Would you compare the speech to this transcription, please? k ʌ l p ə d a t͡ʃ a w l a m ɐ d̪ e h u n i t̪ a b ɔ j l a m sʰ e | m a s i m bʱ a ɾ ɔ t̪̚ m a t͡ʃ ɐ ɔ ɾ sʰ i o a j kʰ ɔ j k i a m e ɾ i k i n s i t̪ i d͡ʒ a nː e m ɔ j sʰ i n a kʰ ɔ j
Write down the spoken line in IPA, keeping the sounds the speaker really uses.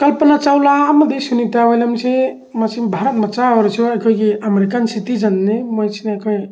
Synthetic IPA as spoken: k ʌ l p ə n a t͡ʃ a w l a m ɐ d̪ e s u n i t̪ a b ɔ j l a m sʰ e | m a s i m bʱ a ɾ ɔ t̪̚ m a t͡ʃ a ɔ ɾ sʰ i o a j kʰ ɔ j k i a m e ɾ i k a n s i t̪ i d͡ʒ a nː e m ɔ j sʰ i n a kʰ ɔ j